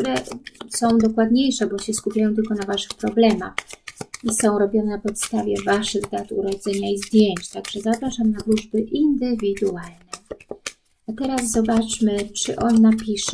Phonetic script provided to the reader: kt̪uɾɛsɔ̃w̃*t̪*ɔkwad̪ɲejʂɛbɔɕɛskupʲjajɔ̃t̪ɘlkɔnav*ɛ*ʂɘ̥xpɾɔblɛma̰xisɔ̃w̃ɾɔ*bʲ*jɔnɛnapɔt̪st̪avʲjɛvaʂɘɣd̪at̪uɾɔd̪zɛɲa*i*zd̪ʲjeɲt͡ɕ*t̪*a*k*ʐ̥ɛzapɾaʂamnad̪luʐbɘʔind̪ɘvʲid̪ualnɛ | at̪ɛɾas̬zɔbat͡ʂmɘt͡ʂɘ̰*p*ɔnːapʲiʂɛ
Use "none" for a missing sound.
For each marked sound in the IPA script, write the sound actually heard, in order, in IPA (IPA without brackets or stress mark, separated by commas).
d̪, a, bʲ, i, t̪, ɡ, ʔ